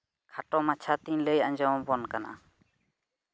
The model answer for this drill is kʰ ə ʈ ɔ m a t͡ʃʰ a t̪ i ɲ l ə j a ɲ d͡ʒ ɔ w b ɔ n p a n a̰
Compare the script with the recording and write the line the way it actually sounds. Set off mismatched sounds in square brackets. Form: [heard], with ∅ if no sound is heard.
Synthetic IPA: kʰ [a] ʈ ɔ m a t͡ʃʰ a t̪ i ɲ l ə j a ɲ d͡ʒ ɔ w b ɔ n [k] a n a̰

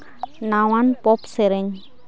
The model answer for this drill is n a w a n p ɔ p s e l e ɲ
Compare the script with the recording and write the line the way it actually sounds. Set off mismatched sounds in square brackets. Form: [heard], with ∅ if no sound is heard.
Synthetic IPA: n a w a n p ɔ p s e [ɾ] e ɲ

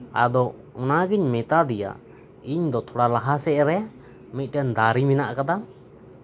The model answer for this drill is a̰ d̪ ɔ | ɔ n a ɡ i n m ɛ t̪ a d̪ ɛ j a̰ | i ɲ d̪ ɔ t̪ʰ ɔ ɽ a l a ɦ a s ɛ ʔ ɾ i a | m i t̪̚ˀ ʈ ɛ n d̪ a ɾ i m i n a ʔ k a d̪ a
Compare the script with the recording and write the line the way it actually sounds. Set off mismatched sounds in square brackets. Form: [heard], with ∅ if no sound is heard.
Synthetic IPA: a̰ d̪ ɔ | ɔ n a ɡ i [ɲ] m ɛ t̪ a d̪ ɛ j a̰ | i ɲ d̪ ɔ t̪ʰ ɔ ɽ a l a ɦ a s ɛ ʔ ɾ [ɛ] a | m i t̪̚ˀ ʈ ɛ n d̪ a ɾ i m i n a ʔ k a d̪ a

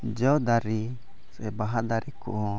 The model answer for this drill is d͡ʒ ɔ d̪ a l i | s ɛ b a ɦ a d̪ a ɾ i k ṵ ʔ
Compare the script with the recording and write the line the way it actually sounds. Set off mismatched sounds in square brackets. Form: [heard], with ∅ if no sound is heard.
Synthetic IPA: d͡ʒ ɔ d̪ a [ɾ] i | s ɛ b a ɦ a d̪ a ɾ i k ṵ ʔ

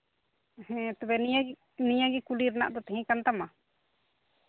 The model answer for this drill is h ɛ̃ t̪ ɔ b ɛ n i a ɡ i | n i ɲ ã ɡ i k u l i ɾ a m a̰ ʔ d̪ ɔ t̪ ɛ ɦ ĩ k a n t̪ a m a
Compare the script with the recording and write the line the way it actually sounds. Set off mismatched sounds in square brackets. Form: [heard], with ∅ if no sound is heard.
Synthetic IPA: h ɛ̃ t̪ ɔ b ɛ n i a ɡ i | n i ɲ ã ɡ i k u l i ɾ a [n] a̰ ʔ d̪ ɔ t̪ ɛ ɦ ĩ k a n t̪ a m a

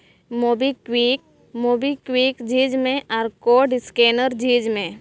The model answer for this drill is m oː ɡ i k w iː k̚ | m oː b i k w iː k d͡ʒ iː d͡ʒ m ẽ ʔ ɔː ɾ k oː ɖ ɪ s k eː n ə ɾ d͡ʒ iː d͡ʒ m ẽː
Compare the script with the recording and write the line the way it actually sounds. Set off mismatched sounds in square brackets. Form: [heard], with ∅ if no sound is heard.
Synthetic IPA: m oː [b] i k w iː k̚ | m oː b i k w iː k d͡ʒ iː d͡ʒ m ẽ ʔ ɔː ɾ k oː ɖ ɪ s k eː n ə ɾ d͡ʒ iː d͡ʒ m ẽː

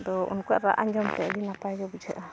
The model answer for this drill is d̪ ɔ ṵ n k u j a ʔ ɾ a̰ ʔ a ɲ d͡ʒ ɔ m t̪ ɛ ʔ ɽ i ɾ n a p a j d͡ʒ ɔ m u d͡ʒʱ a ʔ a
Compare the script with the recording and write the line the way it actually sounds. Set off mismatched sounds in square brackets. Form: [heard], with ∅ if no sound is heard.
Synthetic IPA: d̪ ɔ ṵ n k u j a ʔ ɾ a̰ ʔ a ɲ d͡ʒ ɔ m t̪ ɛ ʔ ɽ i [∅] n a p a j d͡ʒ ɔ [b] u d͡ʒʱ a ʔ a

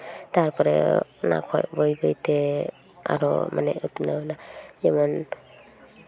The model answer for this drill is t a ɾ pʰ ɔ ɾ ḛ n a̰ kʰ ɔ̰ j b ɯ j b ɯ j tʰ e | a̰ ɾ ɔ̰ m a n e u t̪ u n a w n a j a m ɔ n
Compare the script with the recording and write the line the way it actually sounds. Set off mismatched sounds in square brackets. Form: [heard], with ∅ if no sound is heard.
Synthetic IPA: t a ɾ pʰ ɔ ɾ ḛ n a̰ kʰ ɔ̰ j b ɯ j b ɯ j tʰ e | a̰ ɾ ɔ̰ m a n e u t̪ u n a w n a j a m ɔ n

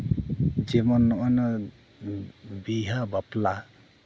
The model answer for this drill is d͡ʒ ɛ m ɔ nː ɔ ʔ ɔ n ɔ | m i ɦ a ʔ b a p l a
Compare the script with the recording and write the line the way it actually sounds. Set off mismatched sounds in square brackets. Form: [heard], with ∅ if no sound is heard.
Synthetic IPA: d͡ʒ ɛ m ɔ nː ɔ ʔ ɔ n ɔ | [b] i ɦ a [∅] b a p l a

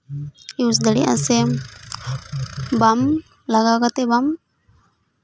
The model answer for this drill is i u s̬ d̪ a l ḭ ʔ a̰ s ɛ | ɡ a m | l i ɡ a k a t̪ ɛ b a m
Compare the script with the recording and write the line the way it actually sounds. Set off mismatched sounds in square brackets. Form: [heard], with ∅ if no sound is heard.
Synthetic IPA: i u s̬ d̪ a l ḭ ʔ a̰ s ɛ | [b] a m | l [a] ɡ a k a t̪ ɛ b a m

